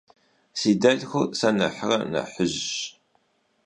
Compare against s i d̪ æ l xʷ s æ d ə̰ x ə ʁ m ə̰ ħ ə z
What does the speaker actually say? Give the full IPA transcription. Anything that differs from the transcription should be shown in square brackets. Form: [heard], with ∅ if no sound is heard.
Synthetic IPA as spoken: s i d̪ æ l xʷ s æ [n] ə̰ [ħ] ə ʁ [n] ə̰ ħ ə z